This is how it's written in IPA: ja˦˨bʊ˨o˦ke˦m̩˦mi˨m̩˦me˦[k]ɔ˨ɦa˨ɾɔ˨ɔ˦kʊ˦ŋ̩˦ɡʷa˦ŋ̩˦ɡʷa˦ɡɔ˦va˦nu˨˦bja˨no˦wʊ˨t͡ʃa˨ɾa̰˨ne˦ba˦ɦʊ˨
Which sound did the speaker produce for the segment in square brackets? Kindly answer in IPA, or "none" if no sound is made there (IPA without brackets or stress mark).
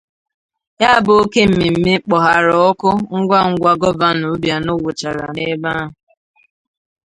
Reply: k͡p